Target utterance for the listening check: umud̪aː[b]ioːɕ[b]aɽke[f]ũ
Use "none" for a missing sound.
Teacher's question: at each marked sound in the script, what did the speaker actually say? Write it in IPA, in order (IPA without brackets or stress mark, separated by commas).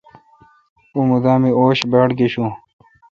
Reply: m, b, ɕ